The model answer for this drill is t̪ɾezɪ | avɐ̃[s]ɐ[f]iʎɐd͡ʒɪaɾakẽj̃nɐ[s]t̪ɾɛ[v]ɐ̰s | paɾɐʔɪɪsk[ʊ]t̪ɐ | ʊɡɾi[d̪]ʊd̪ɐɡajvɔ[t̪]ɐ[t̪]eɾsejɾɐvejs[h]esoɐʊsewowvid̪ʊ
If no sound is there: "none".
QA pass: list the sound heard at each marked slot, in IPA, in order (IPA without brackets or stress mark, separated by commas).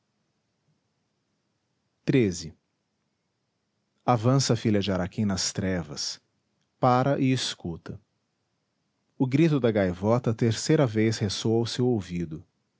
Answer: s, f, s, v, u, t̪, t̪, t̪, h